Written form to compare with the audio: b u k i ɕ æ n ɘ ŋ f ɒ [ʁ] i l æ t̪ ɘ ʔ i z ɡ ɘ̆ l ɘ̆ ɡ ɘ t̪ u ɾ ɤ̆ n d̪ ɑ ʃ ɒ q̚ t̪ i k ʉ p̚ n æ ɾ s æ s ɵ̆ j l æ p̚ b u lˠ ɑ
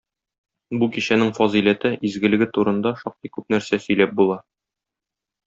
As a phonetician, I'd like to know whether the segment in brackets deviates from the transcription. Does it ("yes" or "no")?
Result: yes